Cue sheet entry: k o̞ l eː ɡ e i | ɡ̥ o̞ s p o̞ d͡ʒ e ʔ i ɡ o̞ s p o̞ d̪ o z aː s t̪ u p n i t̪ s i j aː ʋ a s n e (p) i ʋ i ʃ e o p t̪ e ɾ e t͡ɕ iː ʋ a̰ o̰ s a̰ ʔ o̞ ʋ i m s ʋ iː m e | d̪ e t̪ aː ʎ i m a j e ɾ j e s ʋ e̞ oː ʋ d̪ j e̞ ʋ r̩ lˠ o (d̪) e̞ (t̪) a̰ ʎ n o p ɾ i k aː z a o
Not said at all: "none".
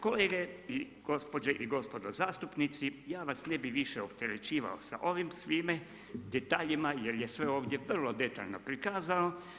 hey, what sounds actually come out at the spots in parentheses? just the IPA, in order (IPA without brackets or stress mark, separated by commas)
b, d̪, t̪